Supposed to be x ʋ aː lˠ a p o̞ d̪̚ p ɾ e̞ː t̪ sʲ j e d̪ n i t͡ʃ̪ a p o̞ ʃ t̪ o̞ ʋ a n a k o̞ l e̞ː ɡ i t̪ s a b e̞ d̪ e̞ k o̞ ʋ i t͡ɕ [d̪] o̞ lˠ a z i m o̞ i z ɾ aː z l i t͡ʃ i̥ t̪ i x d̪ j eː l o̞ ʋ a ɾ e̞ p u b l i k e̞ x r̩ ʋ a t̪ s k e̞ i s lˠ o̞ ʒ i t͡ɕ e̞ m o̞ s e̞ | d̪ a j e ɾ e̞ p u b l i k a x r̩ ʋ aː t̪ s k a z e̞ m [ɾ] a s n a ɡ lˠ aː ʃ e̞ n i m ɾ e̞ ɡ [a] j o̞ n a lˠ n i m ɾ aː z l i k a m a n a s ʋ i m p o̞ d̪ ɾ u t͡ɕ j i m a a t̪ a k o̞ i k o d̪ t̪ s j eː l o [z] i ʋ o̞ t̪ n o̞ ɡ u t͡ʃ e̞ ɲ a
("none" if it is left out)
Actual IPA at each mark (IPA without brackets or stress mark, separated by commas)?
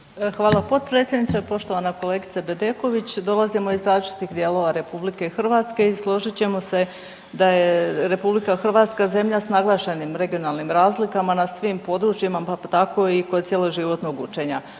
d̪, ʎ, i, ʒ